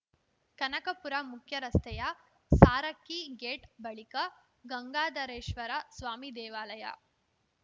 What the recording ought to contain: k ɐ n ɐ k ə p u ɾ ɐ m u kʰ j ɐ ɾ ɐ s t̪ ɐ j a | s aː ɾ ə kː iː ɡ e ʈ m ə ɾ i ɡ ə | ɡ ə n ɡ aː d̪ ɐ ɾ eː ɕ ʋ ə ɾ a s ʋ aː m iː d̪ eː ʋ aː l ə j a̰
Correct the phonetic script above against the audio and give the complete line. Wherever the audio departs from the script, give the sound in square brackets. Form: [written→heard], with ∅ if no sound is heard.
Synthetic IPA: k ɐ n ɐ k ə p u ɾ [ɐ→a] m u kʰ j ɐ ɾ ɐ s t̪ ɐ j a | s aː ɾ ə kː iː ɡ e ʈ [m→b] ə [ɾ→ɭ] i [ɡ→k] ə | ɡ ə [n→ŋ] ɡ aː d̪ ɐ ɾ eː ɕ ʋ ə ɾ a s ʋ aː m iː d̪ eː ʋ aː l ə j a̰

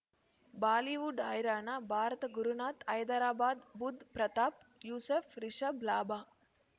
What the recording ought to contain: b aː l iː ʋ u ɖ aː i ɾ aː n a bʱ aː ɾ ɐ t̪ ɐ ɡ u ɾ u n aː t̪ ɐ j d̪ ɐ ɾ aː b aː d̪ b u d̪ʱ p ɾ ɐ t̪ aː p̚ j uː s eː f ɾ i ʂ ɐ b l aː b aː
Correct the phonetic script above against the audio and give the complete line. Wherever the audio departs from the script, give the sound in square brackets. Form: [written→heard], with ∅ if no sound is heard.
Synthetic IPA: b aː l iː ʋ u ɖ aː [i→j] ɾ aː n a bʱ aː ɾ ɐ t̪ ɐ ɡ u ɾ u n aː t̪ ɐ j d̪ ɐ ɾ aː b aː d̪ b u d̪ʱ p ɾ ɐ t̪ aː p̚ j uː s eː f ɾ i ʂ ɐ b l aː b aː

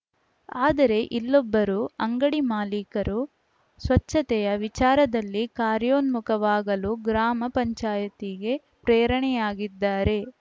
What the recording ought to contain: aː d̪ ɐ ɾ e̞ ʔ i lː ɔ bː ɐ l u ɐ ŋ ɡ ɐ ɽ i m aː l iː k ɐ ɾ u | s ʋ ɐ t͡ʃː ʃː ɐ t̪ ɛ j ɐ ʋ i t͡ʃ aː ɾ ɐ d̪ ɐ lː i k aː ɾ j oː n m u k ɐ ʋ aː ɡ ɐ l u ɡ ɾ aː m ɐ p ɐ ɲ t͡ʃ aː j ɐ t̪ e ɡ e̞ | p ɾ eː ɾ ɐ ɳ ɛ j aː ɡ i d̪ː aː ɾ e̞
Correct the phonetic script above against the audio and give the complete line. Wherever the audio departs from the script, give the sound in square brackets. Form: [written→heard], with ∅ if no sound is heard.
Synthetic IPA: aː d̪ ɐ ɾ e̞ ʔ i lː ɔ bː ɐ [l→ɾ] u ɐ ŋ ɡ ɐ ɽ i m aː l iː k ɐ ɾ u | s ʋ ɐ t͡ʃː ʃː ɐ t̪ ɛ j ɐ ʋ i t͡ʃ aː ɾ ɐ d̪ ɐ lː i k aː ɾ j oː n m u k ɐ ʋ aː ɡ ɐ l u ɡ ɾ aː m ɐ p ɐ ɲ t͡ʃ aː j ɐ t̪ [e→i] ɡ e̞ | p ɾ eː ɾ ɐ ɳ ɛ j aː ɡ i d̪ː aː ɾ e̞

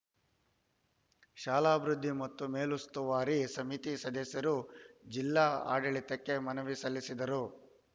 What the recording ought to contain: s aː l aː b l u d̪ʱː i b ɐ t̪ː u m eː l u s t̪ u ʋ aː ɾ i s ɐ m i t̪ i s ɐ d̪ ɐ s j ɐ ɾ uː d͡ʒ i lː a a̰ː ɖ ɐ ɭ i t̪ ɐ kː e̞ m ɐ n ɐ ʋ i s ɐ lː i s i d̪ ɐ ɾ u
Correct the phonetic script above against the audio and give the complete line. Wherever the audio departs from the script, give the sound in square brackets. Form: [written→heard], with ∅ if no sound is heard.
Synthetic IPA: [s→ʃ] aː l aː b [l→ɾ] u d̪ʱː i [b→m] ɐ t̪ː u m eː l u s t̪ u ʋ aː ɾ i s ɐ m i t̪ i s ɐ d̪ ɐ s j ɐ ɾ [uː→u] d͡ʒ i lː a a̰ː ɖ ɐ ɭ i t̪ ɐ kː e̞ m ɐ n ɐ ʋ i s ɐ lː i s i d̪ ɐ ɾ u

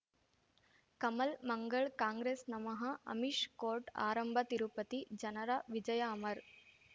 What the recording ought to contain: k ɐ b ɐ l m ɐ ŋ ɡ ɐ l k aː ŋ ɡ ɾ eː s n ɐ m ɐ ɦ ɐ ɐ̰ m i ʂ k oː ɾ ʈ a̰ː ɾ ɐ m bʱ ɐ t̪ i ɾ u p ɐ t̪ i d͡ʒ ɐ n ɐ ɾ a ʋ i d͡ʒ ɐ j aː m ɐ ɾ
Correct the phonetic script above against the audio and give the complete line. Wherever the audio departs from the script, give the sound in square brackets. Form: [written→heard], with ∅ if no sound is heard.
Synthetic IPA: k ɐ [b→m] ɐ l m ɐ ŋ ɡ ɐ [l→ɭ] k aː ŋ ɡ ɾ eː s n ɐ m ɐ ɦ ɐ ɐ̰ m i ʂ k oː ɾ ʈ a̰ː ɾ ɐ m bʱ ɐ t̪ i ɾ u p ɐ t̪ i d͡ʒ ɐ n ɐ ɾ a ʋ i d͡ʒ ɐ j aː m ɐ ɾ

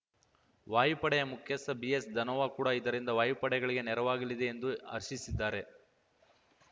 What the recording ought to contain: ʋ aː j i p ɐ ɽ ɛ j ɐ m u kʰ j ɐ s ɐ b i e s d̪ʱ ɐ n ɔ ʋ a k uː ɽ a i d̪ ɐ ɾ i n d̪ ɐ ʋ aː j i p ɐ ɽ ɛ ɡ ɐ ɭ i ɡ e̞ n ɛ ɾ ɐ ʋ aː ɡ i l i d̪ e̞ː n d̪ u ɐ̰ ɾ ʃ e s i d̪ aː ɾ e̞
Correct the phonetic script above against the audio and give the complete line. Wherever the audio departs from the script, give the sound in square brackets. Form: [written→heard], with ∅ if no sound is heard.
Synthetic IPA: ʋ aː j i p ɐ ɽ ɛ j ɐ m u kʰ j ɐ s ɐ b i e s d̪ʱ ɐ n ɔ ʋ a k uː ɽ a i d̪ ɐ ɾ i n d̪ ɐ ʋ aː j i p ɐ ɽ ɛ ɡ ɐ ɭ i ɡ e̞ n ɛ ɾ ɐ ʋ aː ɡ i l i d̪ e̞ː n d̪ u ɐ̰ ɾ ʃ [e→i] s i [d̪→d̪ː] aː ɾ e̞

